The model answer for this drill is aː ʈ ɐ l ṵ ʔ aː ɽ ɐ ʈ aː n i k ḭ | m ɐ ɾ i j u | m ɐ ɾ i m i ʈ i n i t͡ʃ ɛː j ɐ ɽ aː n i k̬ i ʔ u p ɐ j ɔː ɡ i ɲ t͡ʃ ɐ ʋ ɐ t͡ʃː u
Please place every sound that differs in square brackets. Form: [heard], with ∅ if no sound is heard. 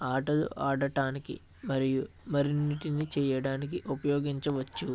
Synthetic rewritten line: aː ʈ ɐ l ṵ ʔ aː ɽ ɐ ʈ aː n i k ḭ | m ɐ ɾ i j u | m ɐ ɾ i [n] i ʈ i n i t͡ʃ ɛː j ɐ ɽ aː n i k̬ i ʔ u p ɐ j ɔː ɡ i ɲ t͡ʃ ɐ ʋ ɐ t͡ʃː u